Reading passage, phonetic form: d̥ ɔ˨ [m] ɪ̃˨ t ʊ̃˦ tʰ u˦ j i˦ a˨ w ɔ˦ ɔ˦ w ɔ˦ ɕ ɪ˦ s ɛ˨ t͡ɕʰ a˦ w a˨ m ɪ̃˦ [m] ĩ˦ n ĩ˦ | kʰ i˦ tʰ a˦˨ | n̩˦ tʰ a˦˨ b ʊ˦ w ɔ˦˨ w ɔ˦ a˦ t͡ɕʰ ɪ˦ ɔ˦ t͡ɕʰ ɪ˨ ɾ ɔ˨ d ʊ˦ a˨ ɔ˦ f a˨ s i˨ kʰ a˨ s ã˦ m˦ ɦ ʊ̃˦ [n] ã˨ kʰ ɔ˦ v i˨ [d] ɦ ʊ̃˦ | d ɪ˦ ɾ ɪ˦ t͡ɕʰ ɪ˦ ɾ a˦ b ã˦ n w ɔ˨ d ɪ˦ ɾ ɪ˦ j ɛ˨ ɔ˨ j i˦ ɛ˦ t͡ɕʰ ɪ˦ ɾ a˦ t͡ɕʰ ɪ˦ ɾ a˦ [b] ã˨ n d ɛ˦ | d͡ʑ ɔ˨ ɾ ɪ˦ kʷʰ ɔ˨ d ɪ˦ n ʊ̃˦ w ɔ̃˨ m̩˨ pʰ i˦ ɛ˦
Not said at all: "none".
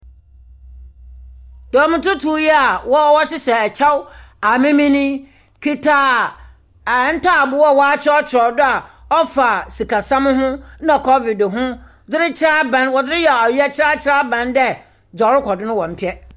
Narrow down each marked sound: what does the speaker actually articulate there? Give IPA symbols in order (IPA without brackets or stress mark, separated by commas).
m, m, n, d, b